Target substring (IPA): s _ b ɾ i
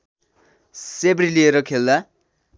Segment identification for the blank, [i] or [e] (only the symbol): e